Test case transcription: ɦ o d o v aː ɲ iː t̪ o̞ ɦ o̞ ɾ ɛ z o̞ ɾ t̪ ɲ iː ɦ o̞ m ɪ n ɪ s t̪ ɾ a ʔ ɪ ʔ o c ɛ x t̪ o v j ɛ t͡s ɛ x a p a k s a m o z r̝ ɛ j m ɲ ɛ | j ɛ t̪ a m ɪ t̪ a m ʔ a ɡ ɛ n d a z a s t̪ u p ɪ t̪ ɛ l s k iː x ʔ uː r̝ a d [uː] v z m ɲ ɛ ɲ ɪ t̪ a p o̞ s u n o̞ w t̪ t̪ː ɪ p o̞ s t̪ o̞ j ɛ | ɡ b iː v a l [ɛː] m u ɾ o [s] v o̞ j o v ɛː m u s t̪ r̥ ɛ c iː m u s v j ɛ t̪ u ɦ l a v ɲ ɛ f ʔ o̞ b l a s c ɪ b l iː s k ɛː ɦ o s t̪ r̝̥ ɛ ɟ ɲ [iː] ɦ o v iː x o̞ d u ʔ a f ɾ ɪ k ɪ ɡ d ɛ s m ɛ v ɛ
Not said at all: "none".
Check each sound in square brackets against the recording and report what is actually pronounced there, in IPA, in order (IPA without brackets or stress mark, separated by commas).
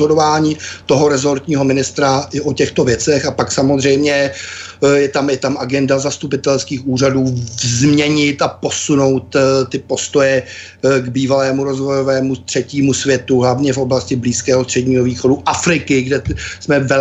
uː, ɛː, z, iː